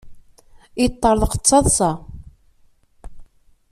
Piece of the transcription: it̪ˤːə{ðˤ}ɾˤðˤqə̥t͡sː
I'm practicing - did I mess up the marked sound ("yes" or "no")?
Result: yes